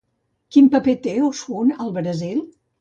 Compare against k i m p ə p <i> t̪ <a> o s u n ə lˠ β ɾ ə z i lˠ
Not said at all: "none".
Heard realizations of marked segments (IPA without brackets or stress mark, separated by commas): e, e